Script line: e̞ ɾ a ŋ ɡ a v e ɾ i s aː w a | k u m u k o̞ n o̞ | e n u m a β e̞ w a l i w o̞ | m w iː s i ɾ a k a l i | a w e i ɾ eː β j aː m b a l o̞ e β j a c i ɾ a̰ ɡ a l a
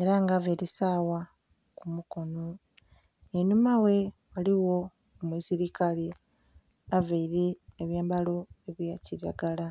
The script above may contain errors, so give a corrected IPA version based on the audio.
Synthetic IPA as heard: e̞ ɾ a ŋ ɡ a v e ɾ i s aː w a | k u m u k o̞ n o̞ | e n u m a w e̞ w a l i w o̞ | m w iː s i ɾ i k a l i | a v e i ɾ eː β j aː m b a l o̞ e β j a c i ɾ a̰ ɡ a l a